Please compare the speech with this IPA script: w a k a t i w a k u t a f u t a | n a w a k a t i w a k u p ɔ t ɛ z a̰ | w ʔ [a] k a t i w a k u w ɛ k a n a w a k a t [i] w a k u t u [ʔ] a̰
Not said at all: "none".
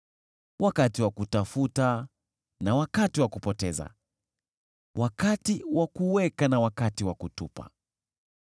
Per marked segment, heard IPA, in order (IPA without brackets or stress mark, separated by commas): a, i, p